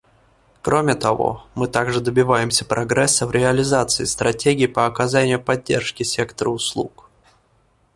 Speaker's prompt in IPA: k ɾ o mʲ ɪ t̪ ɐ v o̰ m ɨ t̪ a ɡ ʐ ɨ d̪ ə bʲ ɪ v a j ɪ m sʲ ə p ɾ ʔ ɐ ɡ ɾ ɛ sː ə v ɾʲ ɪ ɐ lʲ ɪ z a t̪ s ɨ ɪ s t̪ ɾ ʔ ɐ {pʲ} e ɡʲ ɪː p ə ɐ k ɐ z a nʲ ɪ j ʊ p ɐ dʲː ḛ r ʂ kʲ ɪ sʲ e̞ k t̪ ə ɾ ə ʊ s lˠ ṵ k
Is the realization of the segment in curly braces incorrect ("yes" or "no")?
yes